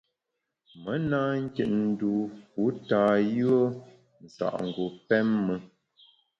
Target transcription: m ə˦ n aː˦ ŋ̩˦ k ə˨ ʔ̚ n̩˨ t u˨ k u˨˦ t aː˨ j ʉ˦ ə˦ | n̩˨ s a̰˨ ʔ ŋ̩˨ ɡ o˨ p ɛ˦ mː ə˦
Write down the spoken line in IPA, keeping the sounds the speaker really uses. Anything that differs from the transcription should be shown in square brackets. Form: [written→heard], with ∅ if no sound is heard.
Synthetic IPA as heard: m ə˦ n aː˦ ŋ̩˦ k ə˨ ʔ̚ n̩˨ [t→d] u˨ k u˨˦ t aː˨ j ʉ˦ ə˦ | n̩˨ s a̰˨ ʔ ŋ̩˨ ɡ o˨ p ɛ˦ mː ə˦